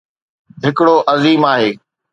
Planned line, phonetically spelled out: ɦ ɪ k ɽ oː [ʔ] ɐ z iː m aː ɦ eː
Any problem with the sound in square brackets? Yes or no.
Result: no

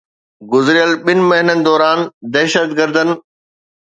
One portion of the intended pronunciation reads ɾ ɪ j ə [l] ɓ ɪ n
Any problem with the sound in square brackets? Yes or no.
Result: no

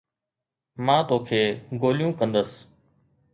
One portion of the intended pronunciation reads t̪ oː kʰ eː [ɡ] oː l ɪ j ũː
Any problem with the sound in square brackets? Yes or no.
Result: no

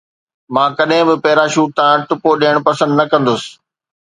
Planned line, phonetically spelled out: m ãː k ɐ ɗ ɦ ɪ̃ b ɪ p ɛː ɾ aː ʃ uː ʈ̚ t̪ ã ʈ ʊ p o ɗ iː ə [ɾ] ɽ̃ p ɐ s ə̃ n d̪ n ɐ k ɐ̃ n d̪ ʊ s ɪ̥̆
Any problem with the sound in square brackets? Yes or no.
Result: yes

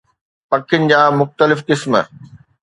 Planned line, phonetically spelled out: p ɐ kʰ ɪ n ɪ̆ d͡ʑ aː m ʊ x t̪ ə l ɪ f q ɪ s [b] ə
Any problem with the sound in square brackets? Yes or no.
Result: yes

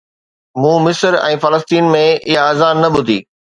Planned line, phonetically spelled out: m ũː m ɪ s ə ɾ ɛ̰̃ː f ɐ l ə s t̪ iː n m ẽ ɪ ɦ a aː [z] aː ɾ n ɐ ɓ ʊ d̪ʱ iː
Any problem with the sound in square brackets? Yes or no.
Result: no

